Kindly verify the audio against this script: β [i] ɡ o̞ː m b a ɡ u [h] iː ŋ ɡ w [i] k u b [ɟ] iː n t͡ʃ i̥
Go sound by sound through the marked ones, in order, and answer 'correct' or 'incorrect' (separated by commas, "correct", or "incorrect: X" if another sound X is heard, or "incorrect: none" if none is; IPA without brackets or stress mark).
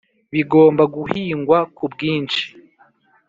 correct, correct, incorrect: a, incorrect: ɡ